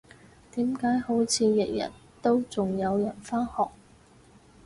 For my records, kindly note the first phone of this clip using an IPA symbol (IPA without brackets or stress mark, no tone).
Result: t̪